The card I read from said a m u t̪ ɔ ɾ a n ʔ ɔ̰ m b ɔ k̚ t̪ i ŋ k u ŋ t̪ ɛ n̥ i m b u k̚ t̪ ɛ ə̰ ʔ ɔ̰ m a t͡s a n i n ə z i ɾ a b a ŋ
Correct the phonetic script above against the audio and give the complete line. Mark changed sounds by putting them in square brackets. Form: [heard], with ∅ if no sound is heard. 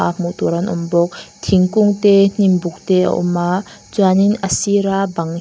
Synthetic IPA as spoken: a m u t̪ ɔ ɾ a n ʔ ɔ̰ m b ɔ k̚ [t̪ʰ] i ŋ k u ŋ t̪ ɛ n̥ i m b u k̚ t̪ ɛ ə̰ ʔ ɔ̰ m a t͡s a n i n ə [s] i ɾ a b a ŋ